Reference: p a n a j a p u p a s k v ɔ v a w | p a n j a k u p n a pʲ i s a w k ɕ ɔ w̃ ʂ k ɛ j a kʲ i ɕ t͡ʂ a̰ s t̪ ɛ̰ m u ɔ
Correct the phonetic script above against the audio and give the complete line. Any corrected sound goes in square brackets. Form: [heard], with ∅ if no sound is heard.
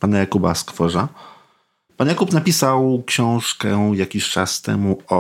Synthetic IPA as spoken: p a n a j a [k] u [b] a s k [f] ɔ [ʐ] a [∅] | p a n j a k u p n a pʲ i s a w k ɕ [ɔ̃] w̃ ʂ k ɛ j a kʲ i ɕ t͡ʂ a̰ s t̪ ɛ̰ m u ɔ